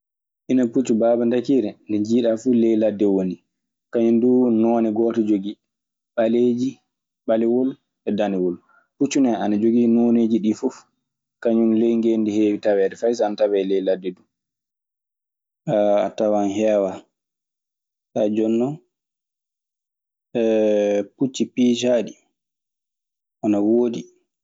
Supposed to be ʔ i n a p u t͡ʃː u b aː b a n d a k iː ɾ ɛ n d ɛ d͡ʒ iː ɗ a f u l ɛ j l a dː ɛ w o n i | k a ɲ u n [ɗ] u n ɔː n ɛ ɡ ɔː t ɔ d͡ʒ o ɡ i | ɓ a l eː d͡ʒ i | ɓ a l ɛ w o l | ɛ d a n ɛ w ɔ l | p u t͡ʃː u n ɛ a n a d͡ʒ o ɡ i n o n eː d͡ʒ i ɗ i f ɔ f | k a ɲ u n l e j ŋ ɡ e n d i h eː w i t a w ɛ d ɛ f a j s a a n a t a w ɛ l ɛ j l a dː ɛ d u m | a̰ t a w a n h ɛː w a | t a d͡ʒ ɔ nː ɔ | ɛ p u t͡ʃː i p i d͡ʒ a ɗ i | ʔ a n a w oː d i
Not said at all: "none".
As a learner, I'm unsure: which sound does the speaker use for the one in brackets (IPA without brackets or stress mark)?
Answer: d